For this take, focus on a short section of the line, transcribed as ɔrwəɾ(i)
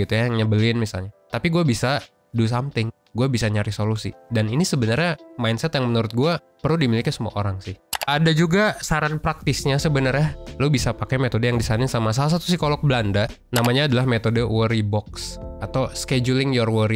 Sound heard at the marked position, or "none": i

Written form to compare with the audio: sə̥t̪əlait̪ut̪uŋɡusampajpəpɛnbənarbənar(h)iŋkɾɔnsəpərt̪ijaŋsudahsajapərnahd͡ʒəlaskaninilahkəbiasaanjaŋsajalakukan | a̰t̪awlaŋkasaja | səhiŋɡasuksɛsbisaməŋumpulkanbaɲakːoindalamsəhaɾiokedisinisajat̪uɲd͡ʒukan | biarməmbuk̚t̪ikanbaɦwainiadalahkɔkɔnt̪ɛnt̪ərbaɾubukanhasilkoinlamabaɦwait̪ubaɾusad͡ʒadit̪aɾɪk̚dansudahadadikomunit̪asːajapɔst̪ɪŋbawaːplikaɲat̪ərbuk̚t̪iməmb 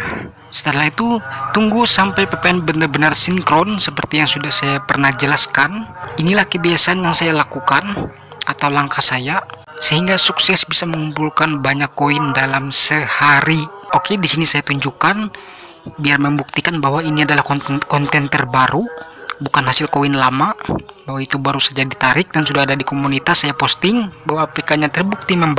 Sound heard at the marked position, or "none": s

